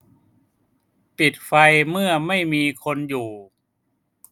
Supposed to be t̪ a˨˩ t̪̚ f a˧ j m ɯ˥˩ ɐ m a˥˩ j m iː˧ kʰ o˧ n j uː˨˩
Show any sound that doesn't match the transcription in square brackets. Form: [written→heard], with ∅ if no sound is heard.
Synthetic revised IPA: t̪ [a˨˩→i˨˩] t̪̚ f a˧ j m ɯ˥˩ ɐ m a˥˩ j m iː˧ kʰ o˧ n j uː˨˩